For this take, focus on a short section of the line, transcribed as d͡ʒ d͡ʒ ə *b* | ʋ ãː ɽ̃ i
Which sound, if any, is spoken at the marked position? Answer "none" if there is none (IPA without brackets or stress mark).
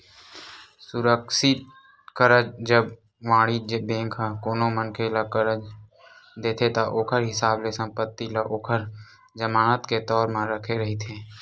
b